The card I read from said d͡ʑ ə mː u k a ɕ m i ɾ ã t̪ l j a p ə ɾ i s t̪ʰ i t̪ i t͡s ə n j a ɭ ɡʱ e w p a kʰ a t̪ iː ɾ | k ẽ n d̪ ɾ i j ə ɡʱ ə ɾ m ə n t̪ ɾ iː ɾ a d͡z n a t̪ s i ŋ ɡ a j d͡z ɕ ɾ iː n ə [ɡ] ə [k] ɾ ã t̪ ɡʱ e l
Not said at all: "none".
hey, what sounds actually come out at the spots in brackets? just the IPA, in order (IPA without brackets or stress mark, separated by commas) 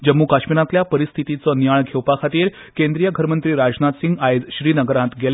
ɡ, none